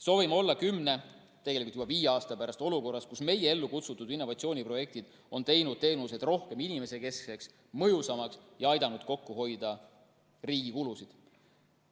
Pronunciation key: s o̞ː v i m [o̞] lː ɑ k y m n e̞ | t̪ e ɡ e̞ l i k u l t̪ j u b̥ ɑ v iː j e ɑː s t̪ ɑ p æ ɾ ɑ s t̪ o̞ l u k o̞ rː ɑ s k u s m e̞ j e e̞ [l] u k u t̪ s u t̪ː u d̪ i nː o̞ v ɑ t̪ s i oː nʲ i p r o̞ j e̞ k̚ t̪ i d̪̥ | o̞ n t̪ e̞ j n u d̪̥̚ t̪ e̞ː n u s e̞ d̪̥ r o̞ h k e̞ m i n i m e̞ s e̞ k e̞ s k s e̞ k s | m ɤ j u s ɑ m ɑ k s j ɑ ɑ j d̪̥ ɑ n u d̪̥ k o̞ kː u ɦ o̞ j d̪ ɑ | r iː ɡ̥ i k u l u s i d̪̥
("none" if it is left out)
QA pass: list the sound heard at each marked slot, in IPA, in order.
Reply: o̞, lː

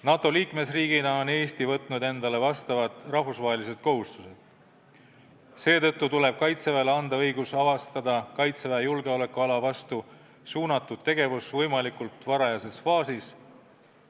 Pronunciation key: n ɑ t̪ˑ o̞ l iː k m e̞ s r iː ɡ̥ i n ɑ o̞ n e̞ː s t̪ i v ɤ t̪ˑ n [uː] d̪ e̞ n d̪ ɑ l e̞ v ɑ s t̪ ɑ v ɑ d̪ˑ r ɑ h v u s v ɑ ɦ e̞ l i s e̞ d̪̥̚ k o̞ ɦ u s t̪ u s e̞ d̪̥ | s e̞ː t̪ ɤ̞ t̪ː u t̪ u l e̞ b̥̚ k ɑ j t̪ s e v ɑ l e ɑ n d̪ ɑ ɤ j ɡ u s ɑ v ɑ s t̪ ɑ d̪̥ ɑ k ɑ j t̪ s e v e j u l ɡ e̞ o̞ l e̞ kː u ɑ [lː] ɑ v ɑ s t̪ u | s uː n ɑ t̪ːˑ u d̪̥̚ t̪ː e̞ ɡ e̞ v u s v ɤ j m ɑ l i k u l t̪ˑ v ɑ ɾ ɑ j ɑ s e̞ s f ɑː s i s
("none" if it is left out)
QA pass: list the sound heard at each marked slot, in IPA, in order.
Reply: u, l

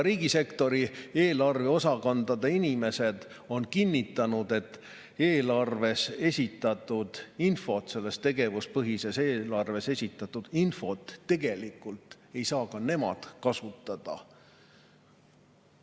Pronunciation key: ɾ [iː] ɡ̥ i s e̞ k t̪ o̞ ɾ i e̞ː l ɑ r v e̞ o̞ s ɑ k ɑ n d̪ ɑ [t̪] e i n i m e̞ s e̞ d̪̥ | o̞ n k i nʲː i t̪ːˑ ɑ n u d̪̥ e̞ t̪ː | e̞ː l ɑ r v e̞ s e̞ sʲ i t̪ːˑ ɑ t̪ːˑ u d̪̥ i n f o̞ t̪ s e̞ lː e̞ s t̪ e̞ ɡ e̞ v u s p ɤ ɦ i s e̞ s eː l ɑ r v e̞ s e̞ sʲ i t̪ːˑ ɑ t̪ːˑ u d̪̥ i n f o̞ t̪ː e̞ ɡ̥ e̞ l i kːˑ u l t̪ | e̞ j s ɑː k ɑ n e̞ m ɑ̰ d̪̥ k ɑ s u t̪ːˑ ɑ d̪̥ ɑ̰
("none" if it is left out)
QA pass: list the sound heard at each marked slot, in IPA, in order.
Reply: iː, d̪

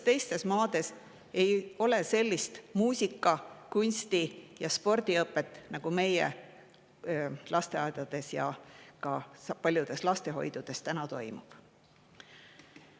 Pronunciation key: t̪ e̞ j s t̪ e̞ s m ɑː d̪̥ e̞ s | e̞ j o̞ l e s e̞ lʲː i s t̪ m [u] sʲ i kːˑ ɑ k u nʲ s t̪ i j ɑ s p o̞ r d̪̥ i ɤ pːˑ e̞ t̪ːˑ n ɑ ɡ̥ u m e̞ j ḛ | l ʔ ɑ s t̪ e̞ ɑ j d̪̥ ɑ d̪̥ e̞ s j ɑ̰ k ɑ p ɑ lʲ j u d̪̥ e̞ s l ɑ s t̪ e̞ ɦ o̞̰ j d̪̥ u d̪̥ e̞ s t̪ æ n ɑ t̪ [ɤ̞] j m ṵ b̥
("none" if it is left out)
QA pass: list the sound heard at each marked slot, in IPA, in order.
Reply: uː, o̞

